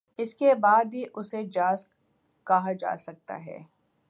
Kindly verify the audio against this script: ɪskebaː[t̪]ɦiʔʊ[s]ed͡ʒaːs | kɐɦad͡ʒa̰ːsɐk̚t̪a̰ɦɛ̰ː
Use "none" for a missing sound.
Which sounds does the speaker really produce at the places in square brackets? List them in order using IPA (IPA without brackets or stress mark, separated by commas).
d̪, s